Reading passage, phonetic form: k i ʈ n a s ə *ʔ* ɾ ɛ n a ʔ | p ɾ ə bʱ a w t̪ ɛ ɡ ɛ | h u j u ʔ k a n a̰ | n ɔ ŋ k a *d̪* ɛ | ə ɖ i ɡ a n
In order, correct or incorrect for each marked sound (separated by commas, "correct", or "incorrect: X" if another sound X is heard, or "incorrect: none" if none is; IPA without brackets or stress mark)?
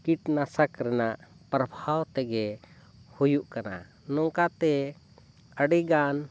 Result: incorrect: k, incorrect: t̪